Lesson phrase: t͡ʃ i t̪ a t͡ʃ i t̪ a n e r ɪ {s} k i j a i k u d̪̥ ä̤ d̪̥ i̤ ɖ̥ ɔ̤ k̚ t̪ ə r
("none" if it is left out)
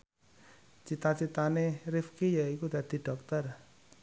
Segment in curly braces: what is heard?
f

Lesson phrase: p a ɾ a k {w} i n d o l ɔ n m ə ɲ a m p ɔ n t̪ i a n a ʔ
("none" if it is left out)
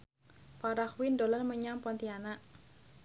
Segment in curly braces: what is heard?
w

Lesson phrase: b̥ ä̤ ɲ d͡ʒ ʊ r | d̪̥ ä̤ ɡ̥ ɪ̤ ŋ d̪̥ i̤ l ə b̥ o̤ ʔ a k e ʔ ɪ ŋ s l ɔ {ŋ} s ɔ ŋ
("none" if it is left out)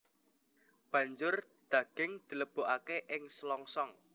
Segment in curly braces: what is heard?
ŋ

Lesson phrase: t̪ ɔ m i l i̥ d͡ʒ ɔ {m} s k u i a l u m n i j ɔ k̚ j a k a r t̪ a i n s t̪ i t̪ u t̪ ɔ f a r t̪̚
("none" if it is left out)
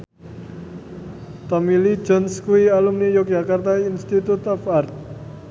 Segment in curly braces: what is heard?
n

